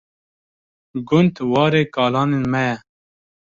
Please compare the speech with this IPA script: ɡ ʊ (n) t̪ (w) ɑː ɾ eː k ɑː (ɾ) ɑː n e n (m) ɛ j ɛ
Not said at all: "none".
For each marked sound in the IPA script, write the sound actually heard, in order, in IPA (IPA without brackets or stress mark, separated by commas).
n, w, l, m